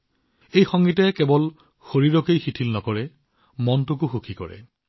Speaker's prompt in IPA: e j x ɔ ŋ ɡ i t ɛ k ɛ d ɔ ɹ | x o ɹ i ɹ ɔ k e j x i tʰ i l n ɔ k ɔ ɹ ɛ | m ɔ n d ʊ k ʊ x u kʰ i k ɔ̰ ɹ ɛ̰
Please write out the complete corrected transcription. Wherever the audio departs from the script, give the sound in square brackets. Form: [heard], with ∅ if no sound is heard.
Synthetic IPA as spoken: e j x ɔ ŋ ɡ i t ɛ k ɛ [b] ɔ [l] | x o ɹ i ɹ ɔ k e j x i tʰ i l n ɔ k ɔ ɹ ɛ | m ɔ n [t] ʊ k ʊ x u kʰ i k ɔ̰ ɹ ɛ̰